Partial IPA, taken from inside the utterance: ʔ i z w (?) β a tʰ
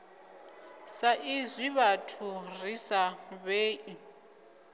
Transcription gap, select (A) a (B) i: B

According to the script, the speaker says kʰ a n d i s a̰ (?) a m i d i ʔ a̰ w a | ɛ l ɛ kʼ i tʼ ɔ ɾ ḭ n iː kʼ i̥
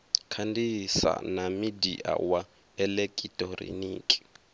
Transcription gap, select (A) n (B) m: A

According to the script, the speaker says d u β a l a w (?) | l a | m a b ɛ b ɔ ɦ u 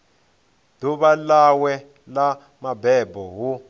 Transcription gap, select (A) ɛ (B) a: A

